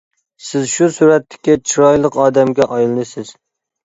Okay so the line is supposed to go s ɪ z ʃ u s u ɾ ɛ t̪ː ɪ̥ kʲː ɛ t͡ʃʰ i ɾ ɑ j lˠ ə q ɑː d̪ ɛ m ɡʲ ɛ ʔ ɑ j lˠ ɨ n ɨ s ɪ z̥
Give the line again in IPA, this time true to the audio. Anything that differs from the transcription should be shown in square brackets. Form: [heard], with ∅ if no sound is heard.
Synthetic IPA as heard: s ɪ z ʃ u s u ɾ ɛ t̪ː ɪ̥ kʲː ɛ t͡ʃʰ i ɾ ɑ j lˠ ə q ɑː d̪ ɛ m ɡʲ ɛ ʔ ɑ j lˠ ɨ n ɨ s ɪ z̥